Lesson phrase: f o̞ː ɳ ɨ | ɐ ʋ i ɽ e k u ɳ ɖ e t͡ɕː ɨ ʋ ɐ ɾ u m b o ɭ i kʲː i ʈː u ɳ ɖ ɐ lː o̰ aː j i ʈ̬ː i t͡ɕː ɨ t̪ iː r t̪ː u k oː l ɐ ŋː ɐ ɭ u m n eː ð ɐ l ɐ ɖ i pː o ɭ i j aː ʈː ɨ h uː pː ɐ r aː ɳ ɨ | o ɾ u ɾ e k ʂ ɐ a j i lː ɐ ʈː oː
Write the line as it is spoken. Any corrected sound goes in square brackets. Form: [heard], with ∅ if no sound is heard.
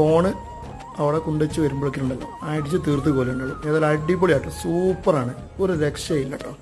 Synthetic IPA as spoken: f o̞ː ɳ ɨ | ɐ ʋ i ɽ e k u ɳ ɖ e t͡ɕː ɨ ʋ ɐ ɾ u m b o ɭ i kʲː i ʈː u ɳ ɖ ɐ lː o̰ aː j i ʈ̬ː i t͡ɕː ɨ t̪ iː r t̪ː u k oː l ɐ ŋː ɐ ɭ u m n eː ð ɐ l ɐ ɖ i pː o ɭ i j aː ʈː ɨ [s] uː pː ɐ r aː ɳ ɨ | o ɾ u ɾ e k ʂ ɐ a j i lː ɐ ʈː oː